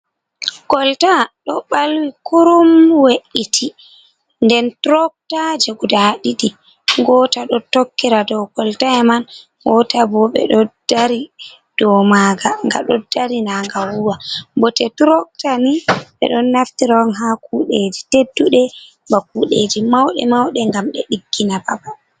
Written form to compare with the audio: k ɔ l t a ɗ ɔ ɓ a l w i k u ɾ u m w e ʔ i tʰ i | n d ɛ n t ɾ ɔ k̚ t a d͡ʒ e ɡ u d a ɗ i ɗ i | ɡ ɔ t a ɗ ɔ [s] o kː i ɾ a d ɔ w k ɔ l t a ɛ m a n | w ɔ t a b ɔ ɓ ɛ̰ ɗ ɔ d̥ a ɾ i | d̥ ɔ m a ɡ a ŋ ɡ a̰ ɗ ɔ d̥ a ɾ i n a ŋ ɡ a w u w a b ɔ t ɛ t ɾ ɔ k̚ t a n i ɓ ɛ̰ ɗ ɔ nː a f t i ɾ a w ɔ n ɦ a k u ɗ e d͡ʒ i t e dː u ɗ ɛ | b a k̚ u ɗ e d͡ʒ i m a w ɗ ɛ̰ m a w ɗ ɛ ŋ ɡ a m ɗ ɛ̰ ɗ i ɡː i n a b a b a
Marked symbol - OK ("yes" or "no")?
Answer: no